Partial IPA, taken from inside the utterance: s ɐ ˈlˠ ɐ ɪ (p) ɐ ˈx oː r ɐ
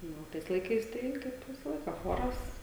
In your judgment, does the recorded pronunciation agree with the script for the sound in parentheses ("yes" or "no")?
no